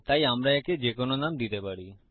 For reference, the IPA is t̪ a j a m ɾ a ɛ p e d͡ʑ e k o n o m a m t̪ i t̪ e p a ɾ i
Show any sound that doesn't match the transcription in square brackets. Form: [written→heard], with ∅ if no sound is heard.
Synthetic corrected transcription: t̪ a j a m ɾ a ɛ [p→k] e d͡ʑ e k o n o [m→n] a m [t̪→d̪] i t̪ e p a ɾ i